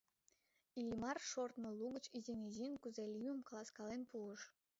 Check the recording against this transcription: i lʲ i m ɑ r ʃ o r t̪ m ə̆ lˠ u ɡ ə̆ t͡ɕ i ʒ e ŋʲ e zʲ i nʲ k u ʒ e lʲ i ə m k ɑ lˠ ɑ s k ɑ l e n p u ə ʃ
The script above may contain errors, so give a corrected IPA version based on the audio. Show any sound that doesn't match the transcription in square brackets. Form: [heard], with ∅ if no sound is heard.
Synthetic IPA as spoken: i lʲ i m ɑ r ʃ o r t̪ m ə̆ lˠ u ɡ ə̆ t͡ɕ i [z] e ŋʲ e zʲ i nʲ k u [z] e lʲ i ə m k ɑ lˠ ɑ s k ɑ l e n p u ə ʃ